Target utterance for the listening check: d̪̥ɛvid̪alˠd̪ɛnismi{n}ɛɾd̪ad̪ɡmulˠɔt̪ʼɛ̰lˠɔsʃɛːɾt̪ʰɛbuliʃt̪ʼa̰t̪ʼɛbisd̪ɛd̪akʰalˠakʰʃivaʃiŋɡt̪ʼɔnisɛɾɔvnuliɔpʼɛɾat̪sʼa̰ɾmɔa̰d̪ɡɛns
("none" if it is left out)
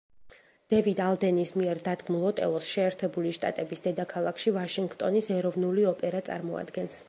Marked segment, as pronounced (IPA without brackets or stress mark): none